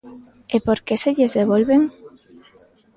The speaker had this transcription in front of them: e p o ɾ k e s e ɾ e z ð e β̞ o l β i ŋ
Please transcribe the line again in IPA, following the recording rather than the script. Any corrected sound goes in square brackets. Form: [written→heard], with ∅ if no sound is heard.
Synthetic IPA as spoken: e p o ɾ k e s e [ɾ→ʎ] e z ð e β̞ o l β [i→e] ŋ